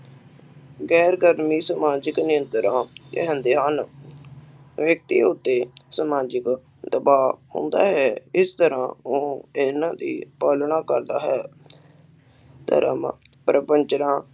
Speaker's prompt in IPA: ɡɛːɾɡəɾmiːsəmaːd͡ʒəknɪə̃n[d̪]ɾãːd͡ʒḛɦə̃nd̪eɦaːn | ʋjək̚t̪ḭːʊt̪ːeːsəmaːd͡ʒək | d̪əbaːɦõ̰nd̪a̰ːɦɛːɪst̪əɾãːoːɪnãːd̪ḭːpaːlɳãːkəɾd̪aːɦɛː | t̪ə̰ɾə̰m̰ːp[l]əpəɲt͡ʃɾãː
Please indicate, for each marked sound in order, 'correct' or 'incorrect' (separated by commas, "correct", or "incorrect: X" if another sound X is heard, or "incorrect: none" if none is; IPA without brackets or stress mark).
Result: incorrect: t̪, incorrect: ɾ